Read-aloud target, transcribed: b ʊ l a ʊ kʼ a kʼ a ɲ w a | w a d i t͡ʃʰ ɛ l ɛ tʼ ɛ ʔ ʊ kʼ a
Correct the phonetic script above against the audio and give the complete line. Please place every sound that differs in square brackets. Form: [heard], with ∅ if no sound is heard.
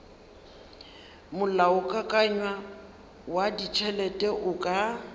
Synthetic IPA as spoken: [m] ʊ l a ʊ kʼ a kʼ a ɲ w a | w a d i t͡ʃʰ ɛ l ɛ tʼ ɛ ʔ ʊ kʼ a